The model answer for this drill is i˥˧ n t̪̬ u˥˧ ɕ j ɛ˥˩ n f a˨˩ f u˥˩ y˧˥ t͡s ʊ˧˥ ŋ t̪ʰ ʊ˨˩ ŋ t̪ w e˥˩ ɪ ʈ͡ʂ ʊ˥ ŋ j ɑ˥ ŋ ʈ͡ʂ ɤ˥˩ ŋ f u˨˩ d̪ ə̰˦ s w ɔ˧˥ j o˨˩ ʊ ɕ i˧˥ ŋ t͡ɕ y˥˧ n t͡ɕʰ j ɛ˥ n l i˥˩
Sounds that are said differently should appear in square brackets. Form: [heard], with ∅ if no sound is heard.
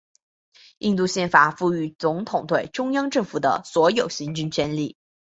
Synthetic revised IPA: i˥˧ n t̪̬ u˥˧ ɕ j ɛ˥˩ n f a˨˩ f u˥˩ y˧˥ t͡s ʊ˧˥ ŋ t̪ʰ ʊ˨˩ ŋ t̪ w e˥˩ ɪ ʈ͡ʂ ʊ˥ ŋ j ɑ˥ ŋ ʈ͡ʂ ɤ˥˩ ŋ f u˨˩ d̪ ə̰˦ s w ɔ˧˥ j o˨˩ ʊ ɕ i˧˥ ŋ t͡ɕ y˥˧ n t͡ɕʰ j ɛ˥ n l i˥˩